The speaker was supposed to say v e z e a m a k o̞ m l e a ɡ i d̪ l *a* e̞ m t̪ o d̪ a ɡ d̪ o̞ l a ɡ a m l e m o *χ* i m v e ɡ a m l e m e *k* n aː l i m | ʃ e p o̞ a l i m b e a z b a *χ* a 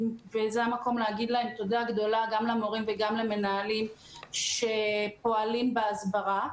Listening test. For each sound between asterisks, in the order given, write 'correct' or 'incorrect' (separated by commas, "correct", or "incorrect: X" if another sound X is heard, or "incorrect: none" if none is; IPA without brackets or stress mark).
correct, incorrect: ʁ, incorrect: none, incorrect: ʁ